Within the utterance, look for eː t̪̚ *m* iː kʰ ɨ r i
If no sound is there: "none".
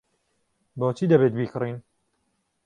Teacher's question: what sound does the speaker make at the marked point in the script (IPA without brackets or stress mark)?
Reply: b